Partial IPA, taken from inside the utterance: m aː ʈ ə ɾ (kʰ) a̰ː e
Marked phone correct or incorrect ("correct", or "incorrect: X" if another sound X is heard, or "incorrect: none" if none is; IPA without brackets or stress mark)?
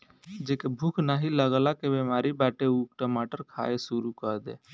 correct